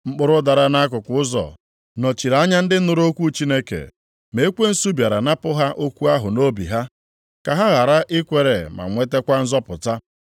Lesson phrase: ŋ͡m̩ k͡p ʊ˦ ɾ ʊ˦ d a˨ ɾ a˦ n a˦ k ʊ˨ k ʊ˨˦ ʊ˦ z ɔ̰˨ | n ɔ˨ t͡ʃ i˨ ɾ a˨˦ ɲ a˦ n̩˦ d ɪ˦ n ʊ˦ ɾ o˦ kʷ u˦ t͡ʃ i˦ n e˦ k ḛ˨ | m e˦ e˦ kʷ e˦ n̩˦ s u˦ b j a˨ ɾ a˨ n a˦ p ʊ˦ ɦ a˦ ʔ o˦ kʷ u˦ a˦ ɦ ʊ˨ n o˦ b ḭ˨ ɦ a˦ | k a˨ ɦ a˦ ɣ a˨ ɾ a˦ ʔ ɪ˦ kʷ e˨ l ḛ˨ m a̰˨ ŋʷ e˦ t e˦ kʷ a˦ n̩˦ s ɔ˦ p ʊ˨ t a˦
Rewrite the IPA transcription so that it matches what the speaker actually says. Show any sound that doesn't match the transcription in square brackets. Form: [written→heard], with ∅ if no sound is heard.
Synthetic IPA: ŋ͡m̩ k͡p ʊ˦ ɾ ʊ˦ d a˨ ɾ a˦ n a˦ k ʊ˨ k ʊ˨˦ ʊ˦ z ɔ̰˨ | n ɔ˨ t͡ʃ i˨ ɾ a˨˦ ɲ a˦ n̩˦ d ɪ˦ n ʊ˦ ɾ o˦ kʷ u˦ t͡ʃ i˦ n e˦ k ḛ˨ | m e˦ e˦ kʷ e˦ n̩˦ s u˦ b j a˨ ɾ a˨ n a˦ p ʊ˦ ɦ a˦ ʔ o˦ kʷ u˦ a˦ ɦ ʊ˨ n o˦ b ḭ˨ ɦ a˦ | k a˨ ɦ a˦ ɣ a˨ ɾ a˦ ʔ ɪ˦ kʷ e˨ [l→ɾ] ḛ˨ m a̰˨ ŋʷ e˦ t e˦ kʷ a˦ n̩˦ [s→z] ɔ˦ p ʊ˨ t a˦